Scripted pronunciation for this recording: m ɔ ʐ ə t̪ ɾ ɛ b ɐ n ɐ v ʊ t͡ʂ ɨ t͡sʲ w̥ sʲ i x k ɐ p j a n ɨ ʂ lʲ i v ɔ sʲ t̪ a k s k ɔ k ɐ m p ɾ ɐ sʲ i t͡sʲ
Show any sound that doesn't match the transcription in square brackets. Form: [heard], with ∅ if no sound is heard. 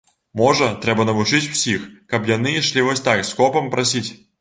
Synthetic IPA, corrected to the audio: m ɔ ʐ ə t̪ ɾ ɛ b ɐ n ɐ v ʊ t͡ʂ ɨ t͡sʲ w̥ sʲ i x k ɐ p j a n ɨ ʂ lʲ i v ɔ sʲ t̪ a k s k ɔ [p] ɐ m p ɾ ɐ sʲ i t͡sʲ